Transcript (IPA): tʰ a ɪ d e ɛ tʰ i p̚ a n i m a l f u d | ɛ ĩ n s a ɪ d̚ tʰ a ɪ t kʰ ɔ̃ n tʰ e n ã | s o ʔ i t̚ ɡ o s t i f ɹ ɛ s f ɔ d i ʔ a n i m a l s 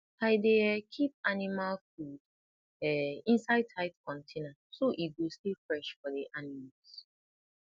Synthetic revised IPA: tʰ a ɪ d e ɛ kʰ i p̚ a n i m a l f u d | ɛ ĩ n s a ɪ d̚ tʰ a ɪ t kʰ ɔ̃ n tʰ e n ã | s o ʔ i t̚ ɡ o s t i f ɹ ɛ ʃ f ɔ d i ʔ a n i m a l s

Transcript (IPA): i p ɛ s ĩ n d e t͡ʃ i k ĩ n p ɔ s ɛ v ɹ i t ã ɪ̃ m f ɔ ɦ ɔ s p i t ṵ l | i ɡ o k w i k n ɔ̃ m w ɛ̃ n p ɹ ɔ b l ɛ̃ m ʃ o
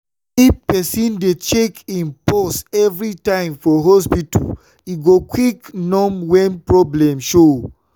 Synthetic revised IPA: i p ɛ s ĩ n d e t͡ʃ e k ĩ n p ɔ s ɛ v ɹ i t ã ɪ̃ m f ɔ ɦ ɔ s p i t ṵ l | i ɡ o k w i k n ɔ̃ m w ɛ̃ n p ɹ ɔ b l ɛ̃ m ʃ o

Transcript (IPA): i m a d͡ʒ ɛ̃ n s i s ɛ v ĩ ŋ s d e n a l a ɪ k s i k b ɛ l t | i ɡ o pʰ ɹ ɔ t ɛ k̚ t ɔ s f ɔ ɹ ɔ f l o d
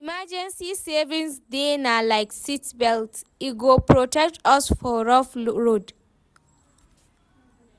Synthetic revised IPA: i m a d͡ʒ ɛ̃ n s i s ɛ v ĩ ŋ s d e n a l a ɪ k s i t b ɛ l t | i ɡ o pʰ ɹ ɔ t ɛ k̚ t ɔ s f ɔ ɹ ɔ f ɹ o d

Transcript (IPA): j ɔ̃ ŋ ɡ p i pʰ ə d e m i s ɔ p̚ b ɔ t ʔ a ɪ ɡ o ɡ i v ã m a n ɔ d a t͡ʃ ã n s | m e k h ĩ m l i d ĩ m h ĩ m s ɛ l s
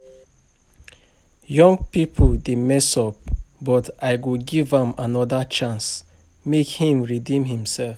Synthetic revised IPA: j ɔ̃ ŋ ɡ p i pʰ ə d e m ɛ s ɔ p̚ b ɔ t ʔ a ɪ ɡ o ɡ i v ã m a n ɔ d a t͡ʃ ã n s | m e k h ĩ m ɹ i d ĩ m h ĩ m s ɛ l f

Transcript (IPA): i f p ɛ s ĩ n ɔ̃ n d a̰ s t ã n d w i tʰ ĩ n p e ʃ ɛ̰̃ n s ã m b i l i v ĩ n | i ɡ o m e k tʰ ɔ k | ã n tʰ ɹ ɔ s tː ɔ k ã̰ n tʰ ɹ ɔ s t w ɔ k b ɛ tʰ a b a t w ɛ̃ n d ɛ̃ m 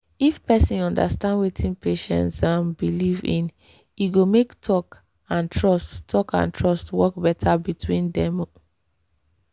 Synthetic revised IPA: i f p ɛ s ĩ n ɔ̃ n d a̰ s t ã n d w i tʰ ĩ n p e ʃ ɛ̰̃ n s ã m b i l i v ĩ n | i ɡ o m e k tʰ ɔ k | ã n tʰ ɹ ɔ s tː ɔ k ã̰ n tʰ ɹ ɔ s t w ɔ k b ɛ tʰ a b i t w ĩ n d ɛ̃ m

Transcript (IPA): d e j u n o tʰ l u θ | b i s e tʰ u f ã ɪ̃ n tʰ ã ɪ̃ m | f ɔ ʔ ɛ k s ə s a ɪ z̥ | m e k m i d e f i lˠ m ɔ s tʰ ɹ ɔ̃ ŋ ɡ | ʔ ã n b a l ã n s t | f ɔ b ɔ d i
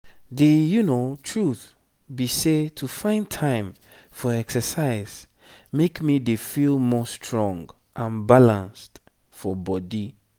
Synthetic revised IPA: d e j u n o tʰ ɹ u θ | b i s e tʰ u f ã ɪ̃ n tʰ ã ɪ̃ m | f ɔ ɛ k s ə s a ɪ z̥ | m e k m i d e f i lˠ m ɔ s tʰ ɹ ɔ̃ ŋ ɡ | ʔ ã n b a l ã n s t | f ɔ b ɔ d i

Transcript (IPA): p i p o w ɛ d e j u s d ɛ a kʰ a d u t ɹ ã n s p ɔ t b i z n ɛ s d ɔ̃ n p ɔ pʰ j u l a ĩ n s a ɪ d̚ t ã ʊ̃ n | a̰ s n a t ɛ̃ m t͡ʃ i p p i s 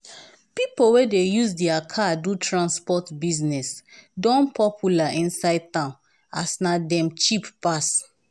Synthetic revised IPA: p i p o w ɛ d e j u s d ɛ a kʰ a d u t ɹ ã n s p ɔ t b i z n ɛ s d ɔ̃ n p ɔ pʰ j u l a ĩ n s a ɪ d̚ t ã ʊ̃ n | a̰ s n a d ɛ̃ m t͡ʃ i p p a s

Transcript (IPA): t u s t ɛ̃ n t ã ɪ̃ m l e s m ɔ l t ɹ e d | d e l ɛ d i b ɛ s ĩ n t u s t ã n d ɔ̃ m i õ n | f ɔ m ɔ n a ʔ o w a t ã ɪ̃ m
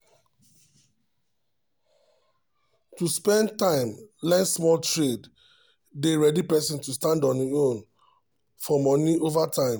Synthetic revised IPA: t u s p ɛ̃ n t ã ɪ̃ m l ɛ s m ɔ l t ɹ e d | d e ɹ ɛ d i p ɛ s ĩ n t u s t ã n d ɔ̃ n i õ n | f ɔ m ɔ n i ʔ o v a t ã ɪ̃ m

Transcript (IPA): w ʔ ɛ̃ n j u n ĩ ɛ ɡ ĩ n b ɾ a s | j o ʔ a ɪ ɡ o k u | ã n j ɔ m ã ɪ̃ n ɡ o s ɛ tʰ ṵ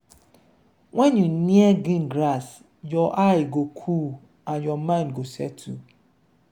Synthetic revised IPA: w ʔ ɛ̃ n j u n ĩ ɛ ɡ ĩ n ɡ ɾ a s | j ɔ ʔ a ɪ ɡ o kʰ u | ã n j ɔ m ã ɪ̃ n ɡ o s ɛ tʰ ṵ

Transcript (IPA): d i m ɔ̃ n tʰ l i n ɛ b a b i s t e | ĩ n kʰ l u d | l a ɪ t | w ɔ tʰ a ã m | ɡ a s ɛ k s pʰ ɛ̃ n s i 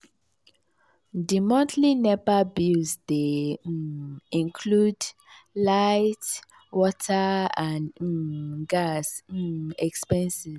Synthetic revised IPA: d i m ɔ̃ n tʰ l i n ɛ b a b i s d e | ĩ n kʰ l u d | l a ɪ t | w ɔ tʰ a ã n | ɡ a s ɛ k s p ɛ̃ n s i

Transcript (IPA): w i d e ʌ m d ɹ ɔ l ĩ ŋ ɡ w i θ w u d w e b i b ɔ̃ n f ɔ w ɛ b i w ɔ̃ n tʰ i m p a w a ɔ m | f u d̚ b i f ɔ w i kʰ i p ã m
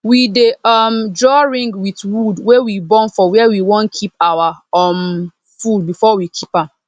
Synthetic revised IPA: w i d e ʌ m d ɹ ɔ ɹ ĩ ŋ ɡ w i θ w u d w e w i b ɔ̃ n f ɔ w ɛ w i w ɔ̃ n kʰ i p a w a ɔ m | f u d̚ b i f ɔ w i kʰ i p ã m

